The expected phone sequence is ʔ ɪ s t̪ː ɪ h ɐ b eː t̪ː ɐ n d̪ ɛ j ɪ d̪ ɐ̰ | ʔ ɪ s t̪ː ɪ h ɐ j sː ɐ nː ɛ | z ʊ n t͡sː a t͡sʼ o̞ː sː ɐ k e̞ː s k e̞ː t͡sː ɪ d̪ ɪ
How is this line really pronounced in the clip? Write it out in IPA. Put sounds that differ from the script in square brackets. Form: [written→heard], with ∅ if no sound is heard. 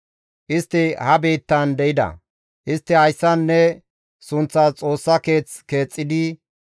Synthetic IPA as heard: ʔ ɪ s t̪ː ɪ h ɐ b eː t̪ː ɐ n d̪ ɛ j ɪ d̪ ɐ̰ | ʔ ɪ s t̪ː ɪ h ɐ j sː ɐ nː ɛ | [z→s] ʊ n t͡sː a t͡sʼ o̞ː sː ɐ k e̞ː [s→t͡s] k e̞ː [t͡sː→t͡sʼː] ɪ d̪ ɪ